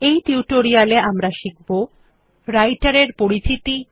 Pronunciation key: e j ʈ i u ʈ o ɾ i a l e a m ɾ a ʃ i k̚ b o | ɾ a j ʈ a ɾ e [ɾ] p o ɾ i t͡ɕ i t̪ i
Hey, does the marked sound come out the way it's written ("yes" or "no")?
yes